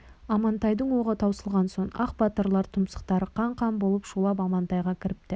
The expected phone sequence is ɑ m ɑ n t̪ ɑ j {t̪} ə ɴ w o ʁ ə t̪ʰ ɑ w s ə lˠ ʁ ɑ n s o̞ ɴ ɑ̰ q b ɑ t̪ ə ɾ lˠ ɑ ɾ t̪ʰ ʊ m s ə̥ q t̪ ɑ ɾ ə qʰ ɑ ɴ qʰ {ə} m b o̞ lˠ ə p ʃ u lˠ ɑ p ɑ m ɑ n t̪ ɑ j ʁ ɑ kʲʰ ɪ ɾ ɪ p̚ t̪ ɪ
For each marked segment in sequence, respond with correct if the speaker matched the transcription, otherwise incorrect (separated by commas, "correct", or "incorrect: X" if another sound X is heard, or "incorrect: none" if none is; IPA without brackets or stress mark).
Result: incorrect: d̪, incorrect: ɑ